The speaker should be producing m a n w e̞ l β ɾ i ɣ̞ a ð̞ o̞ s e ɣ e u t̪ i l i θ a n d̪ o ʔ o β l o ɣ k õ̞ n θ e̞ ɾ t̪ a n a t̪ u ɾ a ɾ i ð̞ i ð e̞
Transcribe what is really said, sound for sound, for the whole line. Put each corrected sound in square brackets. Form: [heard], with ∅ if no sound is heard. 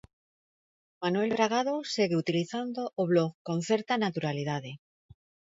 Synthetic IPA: m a n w e̞ l β ɾ [a] ɣ̞ a ð̞ o̞ s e ɣ e u t̪ i l i θ a n d̪ o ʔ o β l o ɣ k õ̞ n θ e̞ ɾ t̪ a n a t̪ u ɾ a [l] i ð̞ [a] ð e̞